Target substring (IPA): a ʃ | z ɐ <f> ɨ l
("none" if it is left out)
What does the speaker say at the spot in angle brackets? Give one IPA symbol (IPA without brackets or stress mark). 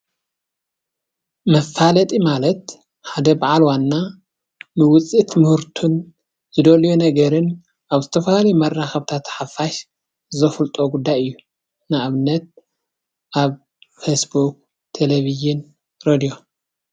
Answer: f